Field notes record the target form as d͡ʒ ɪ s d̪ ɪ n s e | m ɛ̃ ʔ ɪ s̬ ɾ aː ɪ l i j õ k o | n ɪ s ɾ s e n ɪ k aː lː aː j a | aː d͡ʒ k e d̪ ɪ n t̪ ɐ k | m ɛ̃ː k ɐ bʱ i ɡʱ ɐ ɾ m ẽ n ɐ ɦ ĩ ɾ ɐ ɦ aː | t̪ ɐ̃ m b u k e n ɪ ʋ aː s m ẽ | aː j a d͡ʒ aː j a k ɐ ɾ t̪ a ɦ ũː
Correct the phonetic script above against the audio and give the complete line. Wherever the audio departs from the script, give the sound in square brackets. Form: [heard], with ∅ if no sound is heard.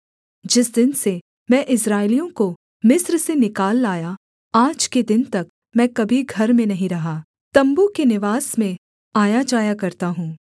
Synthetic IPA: d͡ʒ ɪ s d̪ ɪ n s e | m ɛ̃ ʔ ɪ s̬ ɾ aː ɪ l i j õ k o | [m] ɪ s ɾ s e n ɪ k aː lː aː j a | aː d͡ʒ k e d̪ ɪ n t̪ ɐ k | m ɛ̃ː k ɐ bʱ i ɡʱ ɐ ɾ m ẽ n ɐ ɦ ĩ ɾ ɐ ɦ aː | t̪ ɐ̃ m b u k e n ɪ ʋ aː s m ẽ | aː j a d͡ʒ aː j a k ɐ ɾ t̪ a ɦ ũː

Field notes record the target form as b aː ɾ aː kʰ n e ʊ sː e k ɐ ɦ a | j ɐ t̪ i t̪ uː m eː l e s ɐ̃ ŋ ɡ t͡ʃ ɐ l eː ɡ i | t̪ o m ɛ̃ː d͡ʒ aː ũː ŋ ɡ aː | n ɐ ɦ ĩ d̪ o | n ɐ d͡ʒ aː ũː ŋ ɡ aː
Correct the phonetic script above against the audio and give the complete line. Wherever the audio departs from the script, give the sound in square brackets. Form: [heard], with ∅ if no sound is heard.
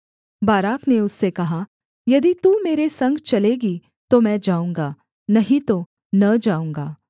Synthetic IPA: b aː ɾ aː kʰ n e ʊ sː e k ɐ ɦ a | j ɐ [d̪] i t̪ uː m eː [ɾ] e s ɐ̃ ŋ ɡ t͡ʃ ɐ l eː ɡ i | t̪ o m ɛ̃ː d͡ʒ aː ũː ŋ ɡ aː | n ɐ ɦ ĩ [t̪] o | n ɐ d͡ʒ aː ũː ŋ ɡ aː

